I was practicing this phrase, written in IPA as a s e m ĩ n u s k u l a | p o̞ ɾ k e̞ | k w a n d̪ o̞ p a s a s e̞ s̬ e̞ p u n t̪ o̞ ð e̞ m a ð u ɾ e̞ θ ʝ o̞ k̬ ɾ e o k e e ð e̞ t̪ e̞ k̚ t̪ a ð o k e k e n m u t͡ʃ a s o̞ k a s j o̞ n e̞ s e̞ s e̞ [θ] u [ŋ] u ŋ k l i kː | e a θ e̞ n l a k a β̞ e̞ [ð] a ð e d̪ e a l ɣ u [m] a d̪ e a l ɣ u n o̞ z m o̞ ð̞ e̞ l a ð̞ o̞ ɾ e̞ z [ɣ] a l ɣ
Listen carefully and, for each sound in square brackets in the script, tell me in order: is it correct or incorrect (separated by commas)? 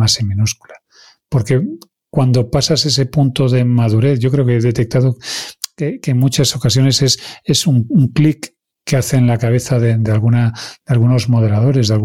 incorrect, correct, incorrect, incorrect, incorrect